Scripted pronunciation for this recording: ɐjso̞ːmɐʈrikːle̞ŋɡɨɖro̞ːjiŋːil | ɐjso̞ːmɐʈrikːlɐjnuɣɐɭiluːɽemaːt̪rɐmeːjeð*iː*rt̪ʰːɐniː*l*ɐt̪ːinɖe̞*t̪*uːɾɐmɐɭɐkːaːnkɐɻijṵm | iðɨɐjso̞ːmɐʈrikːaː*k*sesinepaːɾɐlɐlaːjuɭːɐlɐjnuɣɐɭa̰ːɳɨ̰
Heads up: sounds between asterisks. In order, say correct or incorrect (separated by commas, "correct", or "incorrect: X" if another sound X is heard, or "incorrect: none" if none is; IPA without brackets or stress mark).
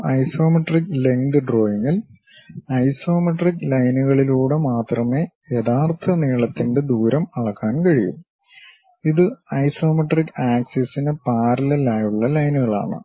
incorrect: aː, incorrect: ɭ, incorrect: d̪, correct